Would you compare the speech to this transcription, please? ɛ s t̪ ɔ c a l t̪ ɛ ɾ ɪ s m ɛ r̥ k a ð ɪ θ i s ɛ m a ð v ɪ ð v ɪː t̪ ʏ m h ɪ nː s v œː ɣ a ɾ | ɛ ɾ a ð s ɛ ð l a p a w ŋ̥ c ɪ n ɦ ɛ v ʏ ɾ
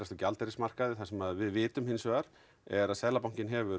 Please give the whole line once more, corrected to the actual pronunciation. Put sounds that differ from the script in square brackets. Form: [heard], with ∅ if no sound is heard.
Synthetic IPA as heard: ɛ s t̪ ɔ c a l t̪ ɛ ɾ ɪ s m [a] r̥ k a ð ɪ θ [a] s ɛ m a ð v ɪ ð v ɪː t̪ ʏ m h ɪ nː s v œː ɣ a ɾ | ɛ ɾ a ð s ɛ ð l a p a w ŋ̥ c ɪ n ɦ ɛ v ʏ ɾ